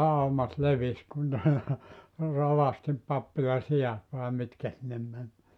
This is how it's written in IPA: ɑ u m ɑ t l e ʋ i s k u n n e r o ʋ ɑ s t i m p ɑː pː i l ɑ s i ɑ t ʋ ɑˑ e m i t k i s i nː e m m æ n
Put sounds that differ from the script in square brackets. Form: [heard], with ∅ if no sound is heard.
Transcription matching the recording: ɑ u m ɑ t l e ʋ i s k u n n e r o ʋ ɑ s t i m p [ɑ] pː i l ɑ s i ɑ t ʋ ɑˑ e m i t k [æ] s i nː e m m æ n

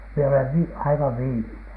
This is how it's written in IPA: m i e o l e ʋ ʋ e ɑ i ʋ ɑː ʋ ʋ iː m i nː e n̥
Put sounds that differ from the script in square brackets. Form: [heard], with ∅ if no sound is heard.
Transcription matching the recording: m i e o l e ʋ ʋ [i] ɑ i ʋ [ɑ] ʋ ʋ iː m i [n] e n̥

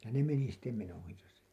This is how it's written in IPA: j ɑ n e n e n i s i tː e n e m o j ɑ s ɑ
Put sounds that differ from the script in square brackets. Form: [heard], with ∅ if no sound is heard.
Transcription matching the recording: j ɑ n e [m] e n i s i tː e [m] e [n] o j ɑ s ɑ

